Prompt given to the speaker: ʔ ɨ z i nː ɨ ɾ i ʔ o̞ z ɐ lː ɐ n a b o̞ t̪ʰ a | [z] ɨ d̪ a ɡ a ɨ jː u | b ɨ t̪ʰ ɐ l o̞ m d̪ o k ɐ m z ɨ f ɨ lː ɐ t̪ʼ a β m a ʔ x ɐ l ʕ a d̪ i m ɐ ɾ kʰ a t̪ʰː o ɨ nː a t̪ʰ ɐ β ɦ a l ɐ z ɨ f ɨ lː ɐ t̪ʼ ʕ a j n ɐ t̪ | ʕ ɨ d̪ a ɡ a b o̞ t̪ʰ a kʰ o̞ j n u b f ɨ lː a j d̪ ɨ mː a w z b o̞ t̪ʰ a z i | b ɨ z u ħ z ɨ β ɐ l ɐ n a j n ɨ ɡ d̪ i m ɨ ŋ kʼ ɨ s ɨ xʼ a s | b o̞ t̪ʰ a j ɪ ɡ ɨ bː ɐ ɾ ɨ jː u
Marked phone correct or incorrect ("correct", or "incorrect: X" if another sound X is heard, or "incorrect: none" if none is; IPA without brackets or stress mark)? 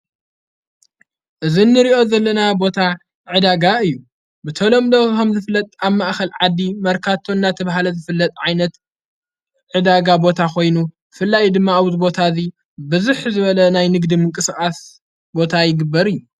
incorrect: ʕ